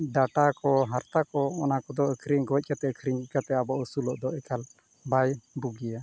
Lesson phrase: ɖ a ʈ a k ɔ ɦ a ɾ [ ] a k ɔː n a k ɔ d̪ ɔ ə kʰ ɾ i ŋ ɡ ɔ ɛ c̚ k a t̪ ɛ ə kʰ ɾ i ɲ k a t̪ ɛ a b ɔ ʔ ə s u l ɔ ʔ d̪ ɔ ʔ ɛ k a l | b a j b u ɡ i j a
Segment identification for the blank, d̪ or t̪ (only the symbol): t̪